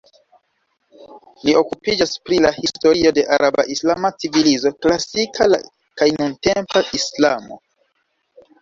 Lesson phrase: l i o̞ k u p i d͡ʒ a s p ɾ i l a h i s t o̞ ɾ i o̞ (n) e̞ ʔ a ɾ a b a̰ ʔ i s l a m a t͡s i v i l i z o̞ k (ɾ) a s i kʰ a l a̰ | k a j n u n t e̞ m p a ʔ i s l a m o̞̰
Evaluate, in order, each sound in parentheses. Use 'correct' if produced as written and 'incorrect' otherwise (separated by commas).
incorrect, incorrect